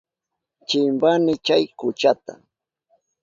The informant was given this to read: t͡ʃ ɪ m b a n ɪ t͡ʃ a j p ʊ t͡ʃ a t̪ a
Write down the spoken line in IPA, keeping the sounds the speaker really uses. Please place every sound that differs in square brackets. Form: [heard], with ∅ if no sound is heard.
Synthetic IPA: t͡ʃ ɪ m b a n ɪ t͡ʃ a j [k] ʊ t͡ʃ a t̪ a